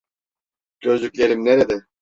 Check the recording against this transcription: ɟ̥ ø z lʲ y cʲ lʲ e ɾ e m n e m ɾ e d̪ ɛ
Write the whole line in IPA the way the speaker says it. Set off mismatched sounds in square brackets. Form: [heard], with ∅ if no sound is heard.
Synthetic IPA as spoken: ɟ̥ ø z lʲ y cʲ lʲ e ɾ [i] m n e [∅] ɾ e d̪ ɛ

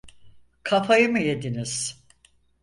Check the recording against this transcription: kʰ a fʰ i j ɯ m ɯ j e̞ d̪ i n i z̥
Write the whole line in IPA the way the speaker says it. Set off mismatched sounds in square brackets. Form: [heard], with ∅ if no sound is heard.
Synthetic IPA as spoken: kʰ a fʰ [a] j ɯ m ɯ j e̞ d̪ i n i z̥

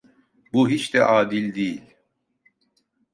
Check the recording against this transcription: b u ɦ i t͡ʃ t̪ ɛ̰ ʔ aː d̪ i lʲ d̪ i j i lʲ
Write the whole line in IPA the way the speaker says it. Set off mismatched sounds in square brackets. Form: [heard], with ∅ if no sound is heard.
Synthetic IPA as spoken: b u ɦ i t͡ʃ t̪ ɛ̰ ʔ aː d̪ i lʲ d̪ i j i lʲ

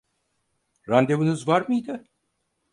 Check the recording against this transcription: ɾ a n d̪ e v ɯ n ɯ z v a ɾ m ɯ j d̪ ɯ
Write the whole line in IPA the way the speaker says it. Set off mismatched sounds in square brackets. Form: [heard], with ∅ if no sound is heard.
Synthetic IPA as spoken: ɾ a n d̪ e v ɯ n ɯ z v a ɾ m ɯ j d̪ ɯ

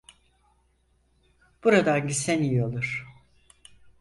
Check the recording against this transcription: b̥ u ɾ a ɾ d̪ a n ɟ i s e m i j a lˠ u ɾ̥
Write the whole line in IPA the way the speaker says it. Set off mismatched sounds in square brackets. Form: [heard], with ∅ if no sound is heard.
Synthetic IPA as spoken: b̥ u ɾ a [∅] d̪ a n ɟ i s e [n] i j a lˠ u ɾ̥

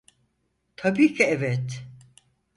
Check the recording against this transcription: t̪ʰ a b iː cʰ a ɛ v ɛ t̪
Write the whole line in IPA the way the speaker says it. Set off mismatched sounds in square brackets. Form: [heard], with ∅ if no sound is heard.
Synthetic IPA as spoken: t̪ʰ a b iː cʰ [i] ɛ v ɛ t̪

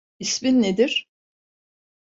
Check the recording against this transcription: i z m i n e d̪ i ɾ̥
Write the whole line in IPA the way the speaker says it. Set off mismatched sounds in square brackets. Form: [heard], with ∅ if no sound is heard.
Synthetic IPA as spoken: i [s] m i [nː] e d̪ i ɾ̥

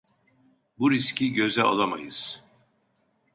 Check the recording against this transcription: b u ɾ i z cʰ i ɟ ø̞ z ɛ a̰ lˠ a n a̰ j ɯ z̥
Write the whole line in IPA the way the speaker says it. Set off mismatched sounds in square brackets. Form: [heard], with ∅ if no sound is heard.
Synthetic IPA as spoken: b u ɾ i [s] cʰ i ɟ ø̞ z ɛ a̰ lˠ a [m] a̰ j ɯ z̥

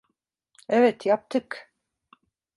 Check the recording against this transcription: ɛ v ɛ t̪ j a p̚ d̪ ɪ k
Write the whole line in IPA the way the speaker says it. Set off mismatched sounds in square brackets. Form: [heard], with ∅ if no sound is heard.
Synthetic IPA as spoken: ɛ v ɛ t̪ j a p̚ [t̪] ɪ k

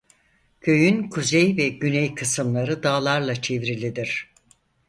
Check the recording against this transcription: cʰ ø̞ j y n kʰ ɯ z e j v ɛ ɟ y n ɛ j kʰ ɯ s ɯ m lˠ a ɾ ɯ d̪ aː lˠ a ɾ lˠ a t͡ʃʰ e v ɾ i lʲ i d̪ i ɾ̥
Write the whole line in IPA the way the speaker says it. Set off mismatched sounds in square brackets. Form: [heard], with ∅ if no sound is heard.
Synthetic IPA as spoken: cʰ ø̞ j y n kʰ [u] z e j v ɛ ɟ y n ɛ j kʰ ɯ s ɯ m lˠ a ɾ ɯ d̪ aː lˠ a ɾ lˠ a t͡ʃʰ e v ɾ i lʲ i d̪ i ɾ̥

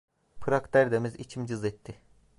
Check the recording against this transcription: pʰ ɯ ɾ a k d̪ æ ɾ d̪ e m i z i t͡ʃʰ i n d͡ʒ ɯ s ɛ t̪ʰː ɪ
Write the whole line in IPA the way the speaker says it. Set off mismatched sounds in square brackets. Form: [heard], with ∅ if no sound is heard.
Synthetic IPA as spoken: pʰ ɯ ɾ a k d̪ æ ɾ d̪ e m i z i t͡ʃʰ i [m] d͡ʒ ɯ [z] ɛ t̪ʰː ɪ

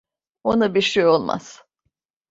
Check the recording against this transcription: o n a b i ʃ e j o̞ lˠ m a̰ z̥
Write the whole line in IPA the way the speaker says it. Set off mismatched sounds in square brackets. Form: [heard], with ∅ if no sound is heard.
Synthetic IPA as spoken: o n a b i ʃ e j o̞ lˠ m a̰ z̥

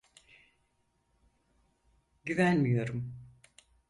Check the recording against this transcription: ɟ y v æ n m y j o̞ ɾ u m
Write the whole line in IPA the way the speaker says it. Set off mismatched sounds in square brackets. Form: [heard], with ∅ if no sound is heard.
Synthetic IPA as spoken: ɟ y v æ n m [i] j o̞ ɾ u m

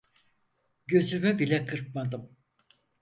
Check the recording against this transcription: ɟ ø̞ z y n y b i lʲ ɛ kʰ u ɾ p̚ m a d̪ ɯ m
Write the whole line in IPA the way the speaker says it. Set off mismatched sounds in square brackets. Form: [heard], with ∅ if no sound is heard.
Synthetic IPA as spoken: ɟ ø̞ z y [m] y b i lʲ ɛ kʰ [ɯ] ɾ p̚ m a d̪ ɯ m

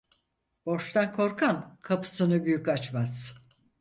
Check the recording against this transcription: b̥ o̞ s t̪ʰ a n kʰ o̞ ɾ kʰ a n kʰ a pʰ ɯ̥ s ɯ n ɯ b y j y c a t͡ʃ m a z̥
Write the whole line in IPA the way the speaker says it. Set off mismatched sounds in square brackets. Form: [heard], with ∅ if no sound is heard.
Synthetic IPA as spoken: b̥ o̞ [ʃ] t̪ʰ a n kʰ o̞ ɾ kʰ a n kʰ a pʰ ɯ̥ s ɯ n ɯ b y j y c a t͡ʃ m a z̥

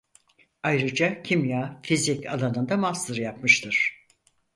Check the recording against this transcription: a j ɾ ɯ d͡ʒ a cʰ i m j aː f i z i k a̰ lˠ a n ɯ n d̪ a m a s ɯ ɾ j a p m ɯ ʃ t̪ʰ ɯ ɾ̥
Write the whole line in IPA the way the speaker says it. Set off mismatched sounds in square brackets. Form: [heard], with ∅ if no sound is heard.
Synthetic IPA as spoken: a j ɾ ɯ d͡ʒ a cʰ i m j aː f i z i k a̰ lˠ a n ɯ n d̪ a m a s ɯ ɾ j a p m ɯ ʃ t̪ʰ ɯ ɾ̥

